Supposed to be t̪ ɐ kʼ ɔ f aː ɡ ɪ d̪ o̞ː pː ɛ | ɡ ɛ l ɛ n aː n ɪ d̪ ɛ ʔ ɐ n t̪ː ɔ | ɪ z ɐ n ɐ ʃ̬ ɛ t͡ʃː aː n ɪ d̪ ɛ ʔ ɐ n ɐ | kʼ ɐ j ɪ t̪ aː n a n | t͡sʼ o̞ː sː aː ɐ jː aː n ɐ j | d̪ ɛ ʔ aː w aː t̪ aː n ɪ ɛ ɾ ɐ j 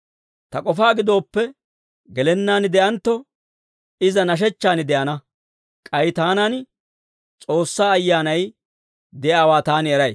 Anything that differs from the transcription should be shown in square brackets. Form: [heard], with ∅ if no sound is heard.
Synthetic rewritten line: t̪ ɐ kʼ ɔ f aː ɡ ɪ d̪ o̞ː pː ɛ | ɡ ɛ l ɛ [nː] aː n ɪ d̪ ɛ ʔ ɐ n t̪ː ɔ | ɪ z ɐ n ɐ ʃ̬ ɛ t͡ʃː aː n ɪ d̪ ɛ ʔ ɐ n ɐ | kʼ ɐ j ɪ t̪ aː n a n | t͡sʼ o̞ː sː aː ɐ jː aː n ɐ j | d̪ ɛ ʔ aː w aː t̪ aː n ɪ ɛ ɾ ɐ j

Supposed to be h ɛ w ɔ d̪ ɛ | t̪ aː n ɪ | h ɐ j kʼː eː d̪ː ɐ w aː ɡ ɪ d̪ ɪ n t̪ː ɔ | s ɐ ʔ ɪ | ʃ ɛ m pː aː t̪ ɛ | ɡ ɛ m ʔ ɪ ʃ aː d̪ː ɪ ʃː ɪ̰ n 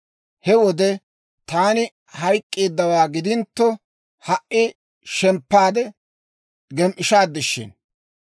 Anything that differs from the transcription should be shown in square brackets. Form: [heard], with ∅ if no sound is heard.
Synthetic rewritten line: h ɛ w ɔ d̪ ɛ | t̪ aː n ɪ | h ɐ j kʼː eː d̪ː ɐ w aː ɡ ɪ d̪ ɪ n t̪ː ɔ | [h] ɐ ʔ ɪ | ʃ ɛ m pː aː [d̪] ɛ | ɡ ɛ m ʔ ɪ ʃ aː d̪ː ɪ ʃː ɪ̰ n

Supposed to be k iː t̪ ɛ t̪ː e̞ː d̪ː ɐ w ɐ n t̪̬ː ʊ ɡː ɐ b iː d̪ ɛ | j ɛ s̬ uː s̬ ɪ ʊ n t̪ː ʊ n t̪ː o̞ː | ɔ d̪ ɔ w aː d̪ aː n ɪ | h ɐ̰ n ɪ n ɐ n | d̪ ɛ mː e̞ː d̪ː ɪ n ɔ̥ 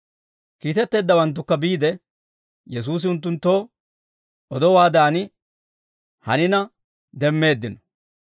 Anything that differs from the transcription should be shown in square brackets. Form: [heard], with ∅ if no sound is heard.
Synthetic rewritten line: k iː t̪ ɛ t̪ː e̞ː d̪ː ɐ w ɐ n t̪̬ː ʊ [kː] ɐ b iː d̪ ɛ | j ɛ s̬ uː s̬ ɪ ʊ n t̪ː ʊ n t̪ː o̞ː | ɔ d̪ ɔ w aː d̪ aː n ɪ | h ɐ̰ n ɪ n ɐ [∅] | d̪ ɛ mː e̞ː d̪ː ɪ n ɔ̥

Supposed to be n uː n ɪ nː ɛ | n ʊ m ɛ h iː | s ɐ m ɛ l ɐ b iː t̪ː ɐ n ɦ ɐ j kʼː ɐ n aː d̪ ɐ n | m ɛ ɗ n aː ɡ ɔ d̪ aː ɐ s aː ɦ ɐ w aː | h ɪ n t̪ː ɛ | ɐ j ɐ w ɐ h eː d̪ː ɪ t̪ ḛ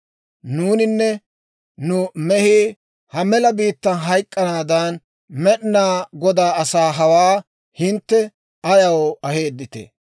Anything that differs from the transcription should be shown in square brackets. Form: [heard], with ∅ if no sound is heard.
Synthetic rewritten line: n uː n ɪ nː ɛ | n ʊ m ɛ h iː | [h] ɐ m ɛ l ɐ b iː t̪ː ɐ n ɦ ɐ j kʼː ɐ n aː d̪ ɐ n | m ɛ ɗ n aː ɡ ɔ d̪ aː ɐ s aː ɦ ɐ w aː | h ɪ n t̪ː ɛ | ɐ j ɐ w ɐ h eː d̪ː ɪ t̪ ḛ

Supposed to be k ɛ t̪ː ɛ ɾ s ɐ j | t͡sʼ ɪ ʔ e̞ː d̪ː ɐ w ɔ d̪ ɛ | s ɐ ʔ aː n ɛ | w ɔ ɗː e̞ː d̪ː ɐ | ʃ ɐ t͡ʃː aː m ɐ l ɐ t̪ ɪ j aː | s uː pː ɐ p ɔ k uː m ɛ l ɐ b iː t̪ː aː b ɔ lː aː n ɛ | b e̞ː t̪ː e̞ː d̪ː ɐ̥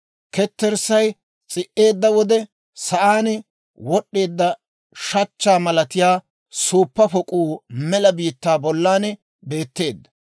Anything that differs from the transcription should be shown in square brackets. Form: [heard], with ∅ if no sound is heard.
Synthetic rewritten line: k ɛ t̪ː ɛ ɾ s ɐ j | t͡sʼ ɪ ʔ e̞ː d̪ː ɐ w ɔ d̪ ɛ | s ɐ ʔ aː n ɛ | w ɔ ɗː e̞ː d̪ː ɐ | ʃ ɐ t͡ʃː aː m ɐ l ɐ t̪ ɪ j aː | s uː pː ɐ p ɔ [kʼ] uː m ɛ l ɐ b iː t̪ː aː b ɔ lː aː n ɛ | b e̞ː t̪ː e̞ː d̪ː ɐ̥

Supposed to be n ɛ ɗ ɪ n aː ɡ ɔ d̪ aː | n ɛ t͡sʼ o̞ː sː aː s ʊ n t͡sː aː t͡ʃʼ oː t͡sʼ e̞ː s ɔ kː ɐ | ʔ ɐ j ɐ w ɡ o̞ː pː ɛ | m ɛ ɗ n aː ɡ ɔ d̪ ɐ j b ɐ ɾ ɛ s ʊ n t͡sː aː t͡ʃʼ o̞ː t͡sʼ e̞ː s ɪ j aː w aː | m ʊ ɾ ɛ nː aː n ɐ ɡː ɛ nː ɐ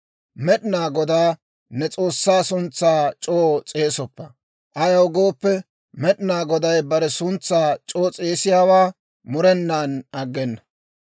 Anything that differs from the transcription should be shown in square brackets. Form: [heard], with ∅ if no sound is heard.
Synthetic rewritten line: [m] ɛ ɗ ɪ n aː ɡ ɔ d̪ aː | n ɛ t͡sʼ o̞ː sː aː s ʊ n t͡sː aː t͡ʃʼ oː t͡sʼ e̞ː s ɔ [pː] ɐ | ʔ ɐ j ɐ w ɡ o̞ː pː ɛ | m ɛ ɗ n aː ɡ ɔ d̪ ɐ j b ɐ ɾ ɛ s ʊ n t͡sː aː t͡ʃʼ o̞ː t͡sʼ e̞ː s ɪ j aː w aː | m ʊ ɾ ɛ nː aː n ɐ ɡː ɛ nː ɐ

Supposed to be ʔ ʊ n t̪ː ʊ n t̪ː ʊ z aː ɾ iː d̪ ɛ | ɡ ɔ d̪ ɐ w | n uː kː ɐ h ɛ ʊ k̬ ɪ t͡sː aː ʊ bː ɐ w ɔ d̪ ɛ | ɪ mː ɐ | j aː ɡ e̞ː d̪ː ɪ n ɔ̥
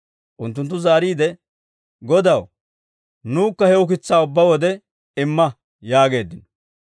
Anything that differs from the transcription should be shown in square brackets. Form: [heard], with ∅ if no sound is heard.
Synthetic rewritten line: ʔ ʊ n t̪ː ʊ n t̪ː ʊ z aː ɾ iː d̪ ɛ | ɡ ɔ d̪ ɐ w | n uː kː ɐ h ɛ ʊ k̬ ɪ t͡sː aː ʊ bː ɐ w ɔ d̪ ɛ | ɪ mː ɐ | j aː ɡ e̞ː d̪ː ɪ n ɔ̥

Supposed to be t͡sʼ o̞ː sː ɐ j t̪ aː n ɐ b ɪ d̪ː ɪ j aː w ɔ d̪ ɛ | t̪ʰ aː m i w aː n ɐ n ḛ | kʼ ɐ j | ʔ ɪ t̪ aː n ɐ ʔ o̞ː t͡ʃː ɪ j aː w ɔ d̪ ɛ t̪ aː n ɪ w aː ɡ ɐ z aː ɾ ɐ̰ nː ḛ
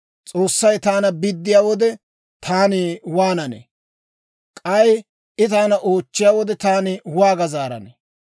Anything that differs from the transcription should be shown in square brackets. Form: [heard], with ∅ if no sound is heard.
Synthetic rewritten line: t͡sʼ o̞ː sː ɐ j t̪ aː n ɐ b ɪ d̪ː ɪ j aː w ɔ d̪ ɛ | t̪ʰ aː [n] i w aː n ɐ n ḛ | kʼ ɐ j | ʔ ɪ t̪ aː n ɐ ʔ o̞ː t͡ʃː ɪ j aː w ɔ d̪ ɛ t̪ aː n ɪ w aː ɡ ɐ z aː ɾ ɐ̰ [n] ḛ

